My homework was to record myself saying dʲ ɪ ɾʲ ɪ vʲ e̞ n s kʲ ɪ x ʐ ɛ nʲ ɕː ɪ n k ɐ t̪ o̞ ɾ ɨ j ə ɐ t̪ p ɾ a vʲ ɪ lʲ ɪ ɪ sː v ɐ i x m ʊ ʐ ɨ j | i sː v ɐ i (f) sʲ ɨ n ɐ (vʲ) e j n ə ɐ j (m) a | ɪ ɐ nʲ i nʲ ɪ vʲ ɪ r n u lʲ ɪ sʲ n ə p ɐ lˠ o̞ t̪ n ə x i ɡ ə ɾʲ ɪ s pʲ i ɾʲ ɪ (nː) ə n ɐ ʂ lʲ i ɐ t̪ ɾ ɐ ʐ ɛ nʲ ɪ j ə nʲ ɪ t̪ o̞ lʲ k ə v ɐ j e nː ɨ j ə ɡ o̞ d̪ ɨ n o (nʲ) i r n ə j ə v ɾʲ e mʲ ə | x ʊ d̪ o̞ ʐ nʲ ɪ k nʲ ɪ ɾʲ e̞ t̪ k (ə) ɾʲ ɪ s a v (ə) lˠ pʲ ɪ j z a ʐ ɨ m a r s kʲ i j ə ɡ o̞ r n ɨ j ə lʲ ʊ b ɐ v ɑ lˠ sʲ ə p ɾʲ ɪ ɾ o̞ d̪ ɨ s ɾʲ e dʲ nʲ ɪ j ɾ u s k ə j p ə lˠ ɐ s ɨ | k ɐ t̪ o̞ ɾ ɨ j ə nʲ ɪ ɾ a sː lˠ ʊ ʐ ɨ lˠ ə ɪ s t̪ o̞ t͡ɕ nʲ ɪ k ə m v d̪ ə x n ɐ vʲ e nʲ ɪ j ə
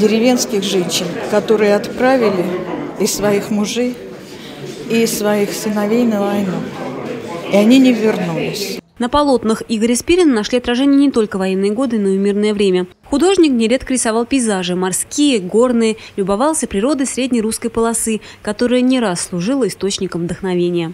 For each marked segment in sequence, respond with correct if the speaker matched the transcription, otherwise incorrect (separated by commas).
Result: incorrect, correct, incorrect, incorrect, incorrect, correct, incorrect